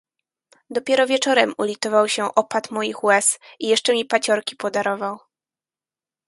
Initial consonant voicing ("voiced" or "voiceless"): voiced